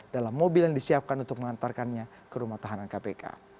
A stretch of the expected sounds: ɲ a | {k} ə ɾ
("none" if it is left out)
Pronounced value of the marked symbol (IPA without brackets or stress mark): k